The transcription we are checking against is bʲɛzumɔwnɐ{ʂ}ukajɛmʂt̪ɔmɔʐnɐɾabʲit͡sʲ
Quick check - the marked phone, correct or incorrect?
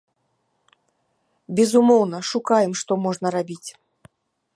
correct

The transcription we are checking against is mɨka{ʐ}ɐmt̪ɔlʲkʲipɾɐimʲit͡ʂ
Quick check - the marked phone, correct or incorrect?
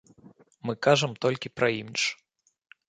correct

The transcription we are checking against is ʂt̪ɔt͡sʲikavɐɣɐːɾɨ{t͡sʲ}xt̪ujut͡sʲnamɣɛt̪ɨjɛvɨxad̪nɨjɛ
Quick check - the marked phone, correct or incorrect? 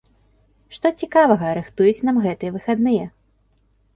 incorrect: none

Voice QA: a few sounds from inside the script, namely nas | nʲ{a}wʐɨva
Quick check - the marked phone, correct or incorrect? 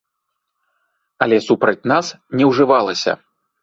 incorrect: ɛ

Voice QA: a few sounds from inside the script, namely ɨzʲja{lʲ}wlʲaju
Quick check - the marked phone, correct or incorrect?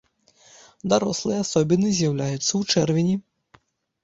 incorrect: none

